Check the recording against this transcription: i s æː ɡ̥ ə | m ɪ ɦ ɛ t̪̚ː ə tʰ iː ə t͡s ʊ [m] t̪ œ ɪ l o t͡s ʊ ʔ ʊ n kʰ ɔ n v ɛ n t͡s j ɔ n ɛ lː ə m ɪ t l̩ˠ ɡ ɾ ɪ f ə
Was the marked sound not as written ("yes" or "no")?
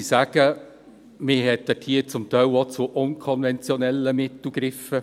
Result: no